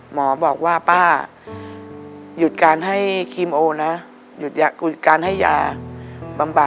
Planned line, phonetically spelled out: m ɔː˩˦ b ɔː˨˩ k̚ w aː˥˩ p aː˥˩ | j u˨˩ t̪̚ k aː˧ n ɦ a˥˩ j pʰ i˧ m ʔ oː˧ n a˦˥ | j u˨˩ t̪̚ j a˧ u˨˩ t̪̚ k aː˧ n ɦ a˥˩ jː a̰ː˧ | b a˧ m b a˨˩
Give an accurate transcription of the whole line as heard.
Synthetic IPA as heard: m ɔː˩˦ b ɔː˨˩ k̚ w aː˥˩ p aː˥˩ | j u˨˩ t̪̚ k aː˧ n ɦ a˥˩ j kʰ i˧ m ʔ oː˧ n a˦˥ | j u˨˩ t̪̚ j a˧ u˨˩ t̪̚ k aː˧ n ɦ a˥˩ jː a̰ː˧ | b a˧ m b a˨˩

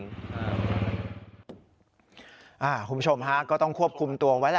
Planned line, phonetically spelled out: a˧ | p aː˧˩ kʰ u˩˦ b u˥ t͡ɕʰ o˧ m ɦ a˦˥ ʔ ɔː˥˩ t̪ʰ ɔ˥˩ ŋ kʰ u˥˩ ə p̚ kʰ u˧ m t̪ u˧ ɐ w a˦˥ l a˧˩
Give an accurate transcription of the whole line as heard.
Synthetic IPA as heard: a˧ | ʔ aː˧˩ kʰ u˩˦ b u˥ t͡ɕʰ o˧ m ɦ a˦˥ k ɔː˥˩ t̪ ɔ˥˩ ŋ kʰ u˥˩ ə p̚ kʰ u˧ m t̪ u˧ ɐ w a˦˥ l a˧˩

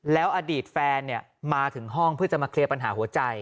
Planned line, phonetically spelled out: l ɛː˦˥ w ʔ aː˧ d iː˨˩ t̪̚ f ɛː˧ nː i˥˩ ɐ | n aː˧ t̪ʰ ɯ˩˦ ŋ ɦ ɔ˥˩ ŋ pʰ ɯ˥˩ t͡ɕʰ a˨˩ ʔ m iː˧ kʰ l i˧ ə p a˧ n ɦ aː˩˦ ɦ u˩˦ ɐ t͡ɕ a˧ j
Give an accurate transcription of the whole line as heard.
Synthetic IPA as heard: l ɛː˦˥ w ʔ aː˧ d iː˨˩ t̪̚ f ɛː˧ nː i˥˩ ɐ | m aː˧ t̪ʰ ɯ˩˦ ŋ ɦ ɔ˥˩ ŋ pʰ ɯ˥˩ t͡ɕ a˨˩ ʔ m aː˧ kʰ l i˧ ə p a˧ n ɦ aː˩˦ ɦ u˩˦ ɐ t͡ɕ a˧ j

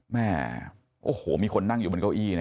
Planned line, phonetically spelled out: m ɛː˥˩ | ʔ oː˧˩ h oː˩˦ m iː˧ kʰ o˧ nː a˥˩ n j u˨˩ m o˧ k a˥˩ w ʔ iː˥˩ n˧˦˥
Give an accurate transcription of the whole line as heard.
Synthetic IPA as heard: m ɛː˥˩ | ʔ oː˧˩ h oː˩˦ m iː˧ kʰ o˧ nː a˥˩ ŋ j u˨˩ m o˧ k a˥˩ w ʔ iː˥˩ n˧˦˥

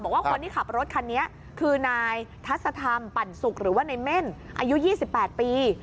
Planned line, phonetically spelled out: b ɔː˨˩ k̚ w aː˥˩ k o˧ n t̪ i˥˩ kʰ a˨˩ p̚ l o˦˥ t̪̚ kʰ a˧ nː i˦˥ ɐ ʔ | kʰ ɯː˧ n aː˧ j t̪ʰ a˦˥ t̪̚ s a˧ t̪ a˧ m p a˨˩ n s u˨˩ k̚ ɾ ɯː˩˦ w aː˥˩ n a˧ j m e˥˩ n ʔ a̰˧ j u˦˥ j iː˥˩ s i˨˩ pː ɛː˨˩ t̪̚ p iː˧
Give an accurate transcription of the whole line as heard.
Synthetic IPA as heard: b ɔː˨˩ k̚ w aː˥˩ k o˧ n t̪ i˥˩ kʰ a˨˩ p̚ ɾ o˦˥ t̪̚ kʰ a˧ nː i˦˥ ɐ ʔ | kʰ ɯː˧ n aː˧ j t̪ʰ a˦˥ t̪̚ s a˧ t̪ʰ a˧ m p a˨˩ n s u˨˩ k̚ ɾ ɯː˩˦ w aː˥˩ n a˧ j m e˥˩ n ʔ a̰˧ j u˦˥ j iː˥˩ s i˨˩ pː ɛː˨˩ t̪̚ p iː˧

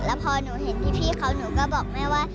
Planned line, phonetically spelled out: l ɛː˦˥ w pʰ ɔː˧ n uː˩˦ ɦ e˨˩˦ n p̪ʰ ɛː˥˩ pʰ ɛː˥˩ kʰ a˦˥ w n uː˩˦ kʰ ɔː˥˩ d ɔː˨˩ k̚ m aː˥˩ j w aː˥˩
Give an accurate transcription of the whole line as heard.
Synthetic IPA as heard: l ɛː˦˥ w pʰ ɔː˧ n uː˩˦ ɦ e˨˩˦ n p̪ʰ iː˥˩ pʰ iː˥˩ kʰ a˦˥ w n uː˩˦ k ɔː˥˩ b ɔː˨˩ k̚ m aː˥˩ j w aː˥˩

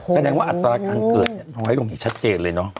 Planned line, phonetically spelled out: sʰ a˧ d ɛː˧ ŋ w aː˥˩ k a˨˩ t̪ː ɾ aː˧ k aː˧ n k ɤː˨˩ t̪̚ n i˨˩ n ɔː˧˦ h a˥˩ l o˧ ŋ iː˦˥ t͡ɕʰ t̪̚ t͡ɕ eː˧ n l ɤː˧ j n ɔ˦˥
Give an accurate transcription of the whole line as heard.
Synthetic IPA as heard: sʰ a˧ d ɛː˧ ŋ w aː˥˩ ʔ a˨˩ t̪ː ɾ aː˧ k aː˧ n k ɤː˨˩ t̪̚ n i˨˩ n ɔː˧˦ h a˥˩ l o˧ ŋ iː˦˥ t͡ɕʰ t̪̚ t͡ɕ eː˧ n l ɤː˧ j n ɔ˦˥

